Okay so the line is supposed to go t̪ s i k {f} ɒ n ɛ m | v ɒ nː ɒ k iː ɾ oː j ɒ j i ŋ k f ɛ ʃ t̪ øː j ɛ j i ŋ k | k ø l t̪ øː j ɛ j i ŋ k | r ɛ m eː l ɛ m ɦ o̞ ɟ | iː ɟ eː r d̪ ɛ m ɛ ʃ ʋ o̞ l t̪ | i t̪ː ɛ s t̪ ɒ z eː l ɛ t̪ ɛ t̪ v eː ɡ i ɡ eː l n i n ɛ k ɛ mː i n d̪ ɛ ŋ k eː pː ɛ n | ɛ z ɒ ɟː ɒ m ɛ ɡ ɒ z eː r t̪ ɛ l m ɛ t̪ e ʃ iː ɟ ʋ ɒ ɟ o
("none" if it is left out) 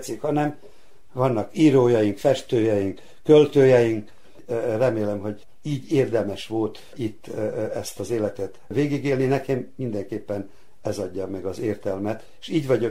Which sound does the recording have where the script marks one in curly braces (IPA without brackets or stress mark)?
h